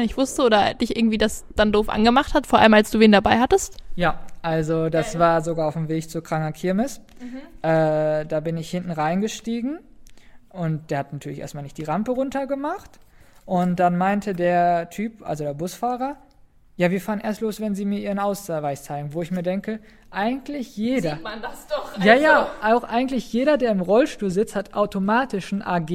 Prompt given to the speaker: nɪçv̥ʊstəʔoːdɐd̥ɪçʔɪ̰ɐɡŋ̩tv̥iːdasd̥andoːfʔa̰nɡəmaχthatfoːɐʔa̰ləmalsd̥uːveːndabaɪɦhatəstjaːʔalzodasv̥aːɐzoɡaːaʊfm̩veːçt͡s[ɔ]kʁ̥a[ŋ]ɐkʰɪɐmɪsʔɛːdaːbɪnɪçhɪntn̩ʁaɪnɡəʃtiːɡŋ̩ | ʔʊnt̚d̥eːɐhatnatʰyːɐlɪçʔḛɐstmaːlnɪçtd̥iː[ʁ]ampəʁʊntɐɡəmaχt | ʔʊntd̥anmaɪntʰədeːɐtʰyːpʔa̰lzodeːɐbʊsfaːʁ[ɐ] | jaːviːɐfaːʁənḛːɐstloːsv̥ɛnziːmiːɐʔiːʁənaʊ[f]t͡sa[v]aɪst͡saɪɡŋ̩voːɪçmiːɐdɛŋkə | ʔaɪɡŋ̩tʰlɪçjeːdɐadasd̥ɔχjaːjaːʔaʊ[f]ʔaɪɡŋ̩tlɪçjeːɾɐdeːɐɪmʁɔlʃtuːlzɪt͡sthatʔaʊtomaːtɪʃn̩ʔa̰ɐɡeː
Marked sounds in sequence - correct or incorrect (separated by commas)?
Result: incorrect, correct, correct, correct, incorrect, correct, incorrect